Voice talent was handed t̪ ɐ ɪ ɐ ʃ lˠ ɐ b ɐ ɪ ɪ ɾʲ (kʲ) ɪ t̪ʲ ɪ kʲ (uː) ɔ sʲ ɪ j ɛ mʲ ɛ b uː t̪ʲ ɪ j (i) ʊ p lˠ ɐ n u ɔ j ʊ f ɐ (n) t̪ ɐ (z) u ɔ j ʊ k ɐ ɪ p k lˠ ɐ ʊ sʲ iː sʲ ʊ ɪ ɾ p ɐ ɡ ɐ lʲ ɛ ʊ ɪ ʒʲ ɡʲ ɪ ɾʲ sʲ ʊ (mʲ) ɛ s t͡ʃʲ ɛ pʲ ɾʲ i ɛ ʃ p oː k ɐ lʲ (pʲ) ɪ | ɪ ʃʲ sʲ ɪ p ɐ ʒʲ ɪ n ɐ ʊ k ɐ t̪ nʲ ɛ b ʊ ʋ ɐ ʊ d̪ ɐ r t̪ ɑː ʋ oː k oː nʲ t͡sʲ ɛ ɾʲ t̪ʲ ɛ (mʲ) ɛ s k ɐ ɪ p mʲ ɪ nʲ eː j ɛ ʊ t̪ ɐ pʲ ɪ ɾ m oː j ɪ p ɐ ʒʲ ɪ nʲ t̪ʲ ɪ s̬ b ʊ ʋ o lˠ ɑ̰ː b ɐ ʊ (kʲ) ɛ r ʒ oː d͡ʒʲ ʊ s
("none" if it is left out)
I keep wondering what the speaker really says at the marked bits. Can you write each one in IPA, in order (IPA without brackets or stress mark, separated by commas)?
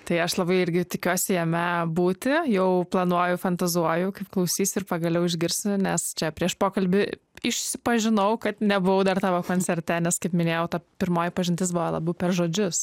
ɡʲ, u, ɛ, n, z, nʲ, bʲ, nʲ, pʲ